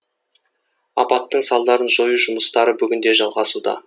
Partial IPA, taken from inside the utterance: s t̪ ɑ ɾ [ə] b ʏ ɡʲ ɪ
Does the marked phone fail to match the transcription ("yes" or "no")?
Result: no